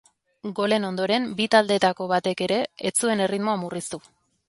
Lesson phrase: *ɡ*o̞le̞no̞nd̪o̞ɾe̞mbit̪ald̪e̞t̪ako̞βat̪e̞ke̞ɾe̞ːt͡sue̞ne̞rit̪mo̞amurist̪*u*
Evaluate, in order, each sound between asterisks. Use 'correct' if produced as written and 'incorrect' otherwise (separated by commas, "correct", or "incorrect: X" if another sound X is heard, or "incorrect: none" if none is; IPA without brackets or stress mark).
correct, correct